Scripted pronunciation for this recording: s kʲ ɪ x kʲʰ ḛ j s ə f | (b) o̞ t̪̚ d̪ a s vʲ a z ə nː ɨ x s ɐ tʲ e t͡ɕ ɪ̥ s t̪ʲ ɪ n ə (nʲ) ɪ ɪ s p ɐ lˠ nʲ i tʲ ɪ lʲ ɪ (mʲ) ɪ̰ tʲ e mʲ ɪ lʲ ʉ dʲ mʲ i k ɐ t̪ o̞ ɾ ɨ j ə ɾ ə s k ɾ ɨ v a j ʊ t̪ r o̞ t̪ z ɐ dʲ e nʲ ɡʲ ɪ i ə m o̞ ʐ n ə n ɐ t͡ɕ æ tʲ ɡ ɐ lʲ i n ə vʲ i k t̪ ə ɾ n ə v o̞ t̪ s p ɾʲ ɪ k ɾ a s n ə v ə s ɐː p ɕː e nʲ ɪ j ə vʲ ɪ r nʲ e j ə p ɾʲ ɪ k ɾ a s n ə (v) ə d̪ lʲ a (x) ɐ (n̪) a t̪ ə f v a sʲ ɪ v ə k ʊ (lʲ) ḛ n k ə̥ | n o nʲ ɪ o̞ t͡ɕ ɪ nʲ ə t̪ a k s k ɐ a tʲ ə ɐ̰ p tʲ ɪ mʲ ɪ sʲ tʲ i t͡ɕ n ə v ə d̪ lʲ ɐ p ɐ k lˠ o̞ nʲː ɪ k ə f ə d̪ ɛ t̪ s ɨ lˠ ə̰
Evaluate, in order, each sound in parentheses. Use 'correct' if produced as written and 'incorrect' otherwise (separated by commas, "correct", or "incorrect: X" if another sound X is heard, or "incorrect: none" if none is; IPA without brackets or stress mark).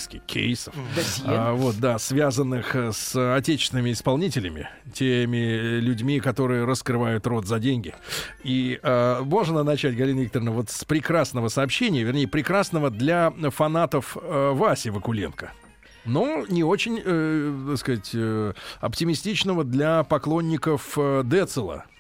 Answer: incorrect: v, incorrect: mʲ, correct, correct, incorrect: f, correct, correct